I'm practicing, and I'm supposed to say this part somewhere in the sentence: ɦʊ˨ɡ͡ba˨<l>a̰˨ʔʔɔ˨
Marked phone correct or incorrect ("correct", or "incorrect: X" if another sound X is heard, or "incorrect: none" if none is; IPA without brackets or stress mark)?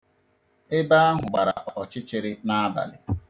incorrect: ɾ